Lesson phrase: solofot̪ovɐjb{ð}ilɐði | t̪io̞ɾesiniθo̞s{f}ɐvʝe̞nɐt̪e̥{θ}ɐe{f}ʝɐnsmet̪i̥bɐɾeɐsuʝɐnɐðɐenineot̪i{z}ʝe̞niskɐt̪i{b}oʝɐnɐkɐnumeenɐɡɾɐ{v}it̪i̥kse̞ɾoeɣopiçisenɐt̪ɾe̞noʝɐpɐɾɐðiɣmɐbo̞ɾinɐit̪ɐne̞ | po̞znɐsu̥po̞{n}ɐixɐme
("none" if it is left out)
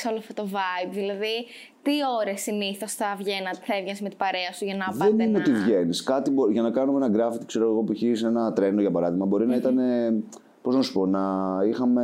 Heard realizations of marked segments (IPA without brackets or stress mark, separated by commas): ð, θ, θ, v, v, b, f, n